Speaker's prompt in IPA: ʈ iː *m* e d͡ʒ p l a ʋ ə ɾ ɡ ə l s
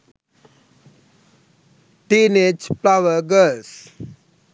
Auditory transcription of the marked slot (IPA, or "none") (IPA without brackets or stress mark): n